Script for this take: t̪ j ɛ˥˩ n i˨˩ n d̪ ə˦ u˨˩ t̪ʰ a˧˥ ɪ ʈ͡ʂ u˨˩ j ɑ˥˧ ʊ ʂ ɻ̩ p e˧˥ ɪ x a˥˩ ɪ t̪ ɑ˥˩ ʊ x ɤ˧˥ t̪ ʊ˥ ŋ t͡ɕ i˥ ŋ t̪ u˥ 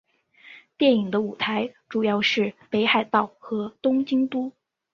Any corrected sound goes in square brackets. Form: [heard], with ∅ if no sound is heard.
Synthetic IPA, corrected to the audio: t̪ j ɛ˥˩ n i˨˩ [ŋ] d̪ ə˦ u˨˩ t̪ʰ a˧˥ ɪ ʈ͡ʂ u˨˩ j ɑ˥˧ ʊ ʂ ɻ̩ p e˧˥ ɪ x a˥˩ ɪ t̪ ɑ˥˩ ʊ x ɤ˧˥ t̪ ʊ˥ ŋ t͡ɕ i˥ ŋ t̪ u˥